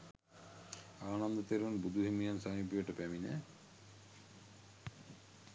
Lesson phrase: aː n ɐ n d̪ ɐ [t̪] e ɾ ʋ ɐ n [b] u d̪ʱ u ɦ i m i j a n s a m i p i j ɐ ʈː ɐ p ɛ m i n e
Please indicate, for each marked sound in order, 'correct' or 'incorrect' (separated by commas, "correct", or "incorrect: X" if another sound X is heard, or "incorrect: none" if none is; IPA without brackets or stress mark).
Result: correct, correct